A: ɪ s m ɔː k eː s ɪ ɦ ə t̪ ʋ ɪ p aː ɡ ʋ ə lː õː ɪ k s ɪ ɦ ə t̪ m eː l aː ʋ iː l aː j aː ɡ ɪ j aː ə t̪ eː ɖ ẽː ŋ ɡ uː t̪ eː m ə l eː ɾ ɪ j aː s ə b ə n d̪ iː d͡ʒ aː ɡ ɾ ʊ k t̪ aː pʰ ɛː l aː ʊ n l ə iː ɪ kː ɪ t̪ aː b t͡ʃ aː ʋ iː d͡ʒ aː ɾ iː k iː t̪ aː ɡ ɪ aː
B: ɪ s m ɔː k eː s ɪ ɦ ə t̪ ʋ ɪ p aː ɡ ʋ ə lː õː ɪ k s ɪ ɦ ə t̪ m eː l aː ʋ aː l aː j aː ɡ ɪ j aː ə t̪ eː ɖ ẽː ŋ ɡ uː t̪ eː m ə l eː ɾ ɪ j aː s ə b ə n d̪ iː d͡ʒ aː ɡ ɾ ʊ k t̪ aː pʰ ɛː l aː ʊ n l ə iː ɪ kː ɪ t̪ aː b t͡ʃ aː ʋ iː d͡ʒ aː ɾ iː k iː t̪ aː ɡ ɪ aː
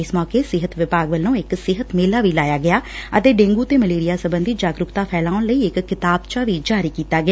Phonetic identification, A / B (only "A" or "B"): A